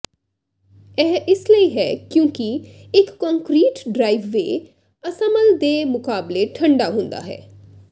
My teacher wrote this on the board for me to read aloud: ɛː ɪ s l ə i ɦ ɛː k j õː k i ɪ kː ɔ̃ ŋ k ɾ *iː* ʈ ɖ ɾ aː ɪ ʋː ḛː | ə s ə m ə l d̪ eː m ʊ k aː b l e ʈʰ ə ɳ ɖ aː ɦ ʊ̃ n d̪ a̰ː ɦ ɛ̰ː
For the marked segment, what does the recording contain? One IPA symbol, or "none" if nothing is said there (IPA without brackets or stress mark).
iː